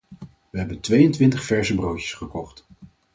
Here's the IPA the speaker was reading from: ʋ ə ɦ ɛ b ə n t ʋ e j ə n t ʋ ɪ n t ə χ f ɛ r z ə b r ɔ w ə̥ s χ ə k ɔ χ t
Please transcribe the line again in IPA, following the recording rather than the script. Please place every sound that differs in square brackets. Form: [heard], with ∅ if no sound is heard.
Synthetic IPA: ʋ ə ɦ ɛ b ə n t ʋ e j ə n t ʋ ɪ n t ə χ f ɛ [ɹ] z ə b r [o] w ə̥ s χ ə k ɔ χ t